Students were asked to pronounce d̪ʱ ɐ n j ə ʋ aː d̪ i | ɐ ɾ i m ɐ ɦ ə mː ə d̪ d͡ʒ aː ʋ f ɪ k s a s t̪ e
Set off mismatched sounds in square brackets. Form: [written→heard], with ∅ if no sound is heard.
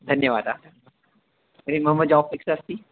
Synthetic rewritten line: d̪ʱ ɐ n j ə ʋ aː d̪ [i→a] | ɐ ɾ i m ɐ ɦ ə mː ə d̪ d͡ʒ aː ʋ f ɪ k s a s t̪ [e→i]

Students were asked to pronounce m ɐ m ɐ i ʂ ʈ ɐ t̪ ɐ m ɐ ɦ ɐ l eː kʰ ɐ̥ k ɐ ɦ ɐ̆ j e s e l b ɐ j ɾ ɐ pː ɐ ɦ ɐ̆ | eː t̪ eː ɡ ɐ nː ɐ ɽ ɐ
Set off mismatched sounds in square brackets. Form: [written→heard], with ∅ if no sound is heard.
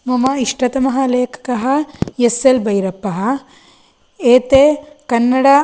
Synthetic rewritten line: m ɐ m ɐ i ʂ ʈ ɐ t̪ ɐ m ɐ ɦ ɐ l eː kʰ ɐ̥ k ɐ ɦ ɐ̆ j e s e l b ɐ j ɾ ɐ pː ɐ ɦ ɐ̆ | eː t̪ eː [ɡ→k] ɐ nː ɐ ɽ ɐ

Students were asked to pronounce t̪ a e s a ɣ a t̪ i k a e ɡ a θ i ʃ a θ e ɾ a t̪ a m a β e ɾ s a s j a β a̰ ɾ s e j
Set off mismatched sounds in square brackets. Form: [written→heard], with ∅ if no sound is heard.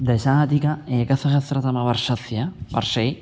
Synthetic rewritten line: [t̪→d̪] a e s a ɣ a t̪ i k a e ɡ a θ [i→a] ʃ a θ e ɾ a t̪ a m a β [e→a] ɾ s a [s→θ] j a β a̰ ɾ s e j

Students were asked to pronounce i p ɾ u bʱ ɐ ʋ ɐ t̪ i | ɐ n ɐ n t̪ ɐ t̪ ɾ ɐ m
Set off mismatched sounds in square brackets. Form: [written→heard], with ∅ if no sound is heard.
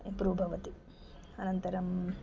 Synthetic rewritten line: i p ɾ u bʱ ɐ ʋ ɐ t̪ i | ɐ n ɐ n t̪ ɐ [t̪→∅] ɾ ɐ m

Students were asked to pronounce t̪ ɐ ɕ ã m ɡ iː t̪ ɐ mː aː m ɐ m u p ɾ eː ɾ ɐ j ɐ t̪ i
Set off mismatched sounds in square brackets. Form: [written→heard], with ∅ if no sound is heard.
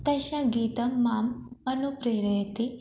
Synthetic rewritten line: t̪ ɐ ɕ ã [m→∅] ɡ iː t̪ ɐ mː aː m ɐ [m→n] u p ɾ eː ɾ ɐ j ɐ t̪ i

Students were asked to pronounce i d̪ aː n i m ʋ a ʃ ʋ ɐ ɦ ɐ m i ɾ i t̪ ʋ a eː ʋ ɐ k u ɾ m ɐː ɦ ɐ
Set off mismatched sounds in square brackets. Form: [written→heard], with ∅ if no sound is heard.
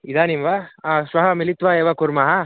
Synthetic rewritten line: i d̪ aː n i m ʋ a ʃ ʋ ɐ ɦ ɐ m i [ɾ→l] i t̪ ʋ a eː ʋ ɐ k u ɾ m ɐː ɦ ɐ

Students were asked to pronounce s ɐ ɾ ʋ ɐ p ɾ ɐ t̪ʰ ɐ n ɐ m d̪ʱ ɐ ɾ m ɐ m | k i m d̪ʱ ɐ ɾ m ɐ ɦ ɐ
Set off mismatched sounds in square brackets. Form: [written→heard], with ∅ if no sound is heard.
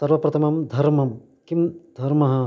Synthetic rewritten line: s ɐ ɾ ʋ ɐ p ɾ ɐ t̪ʰ ɐ [n→m] ɐ m d̪ʱ ɐ ɾ m ɐ m | k i m d̪ʱ ɐ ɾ m ɐ ɦ ɐ

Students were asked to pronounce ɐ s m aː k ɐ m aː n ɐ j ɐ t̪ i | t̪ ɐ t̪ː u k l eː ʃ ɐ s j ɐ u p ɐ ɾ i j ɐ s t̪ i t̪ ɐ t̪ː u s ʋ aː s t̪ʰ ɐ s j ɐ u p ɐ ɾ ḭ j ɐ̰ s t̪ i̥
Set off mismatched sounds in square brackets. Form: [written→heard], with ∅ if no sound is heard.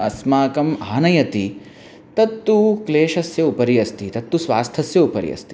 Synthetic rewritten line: ɐ s m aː k ɐ m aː n ɐ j ɐ t̪ i | t̪ ɐ t̪ː u k l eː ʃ ɐ s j ɐ u p ɐ ɾ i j ɐ s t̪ i t̪ ɐ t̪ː u s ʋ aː s t̪ʰ ɐ s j ɐ u p ɐ ɾ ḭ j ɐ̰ s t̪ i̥

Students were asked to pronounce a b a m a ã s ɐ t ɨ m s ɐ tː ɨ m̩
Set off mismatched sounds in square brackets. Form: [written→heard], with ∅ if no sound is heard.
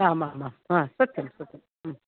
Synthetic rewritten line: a [b→m] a m a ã s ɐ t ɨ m s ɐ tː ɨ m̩

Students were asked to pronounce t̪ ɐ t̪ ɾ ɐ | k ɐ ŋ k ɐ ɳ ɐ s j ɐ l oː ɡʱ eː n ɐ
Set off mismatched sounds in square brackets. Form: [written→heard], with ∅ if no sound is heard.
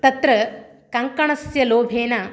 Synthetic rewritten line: t̪ ɐ t̪ ɾ ɐ | k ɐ ŋ k ɐ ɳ ɐ s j ɐ l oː [ɡʱ→bʱ] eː n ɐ

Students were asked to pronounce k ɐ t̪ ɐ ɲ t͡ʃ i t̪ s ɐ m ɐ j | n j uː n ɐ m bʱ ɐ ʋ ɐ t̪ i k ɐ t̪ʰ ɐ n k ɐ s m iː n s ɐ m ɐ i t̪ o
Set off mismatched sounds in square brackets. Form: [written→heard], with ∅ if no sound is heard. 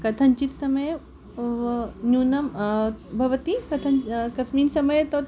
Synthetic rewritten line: k ɐ [t̪→t̪ʰ] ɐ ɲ t͡ʃ i t̪ s ɐ m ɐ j | n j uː n ɐ m bʱ ɐ ʋ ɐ t̪ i k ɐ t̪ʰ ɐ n k ɐ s m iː n s ɐ m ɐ [i→j] t̪ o

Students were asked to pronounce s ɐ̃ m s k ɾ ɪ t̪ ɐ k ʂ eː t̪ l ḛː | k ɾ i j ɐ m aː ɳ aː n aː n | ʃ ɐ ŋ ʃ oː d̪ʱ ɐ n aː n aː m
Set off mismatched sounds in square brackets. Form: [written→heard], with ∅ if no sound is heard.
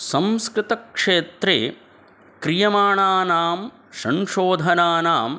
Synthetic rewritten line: s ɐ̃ m s k ɾ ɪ t̪ ɐ k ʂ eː t̪ [l→ɾ] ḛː | k ɾ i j ɐ m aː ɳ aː n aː [n→m] | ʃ ɐ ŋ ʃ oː d̪ʱ ɐ n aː n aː m

